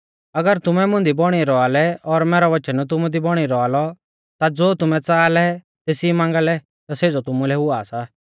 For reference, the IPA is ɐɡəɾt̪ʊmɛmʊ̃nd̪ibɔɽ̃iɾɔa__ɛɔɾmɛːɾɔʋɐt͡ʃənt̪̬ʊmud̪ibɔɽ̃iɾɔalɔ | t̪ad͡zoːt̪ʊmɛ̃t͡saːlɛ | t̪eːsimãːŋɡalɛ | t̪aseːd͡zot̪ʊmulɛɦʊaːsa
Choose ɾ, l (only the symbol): l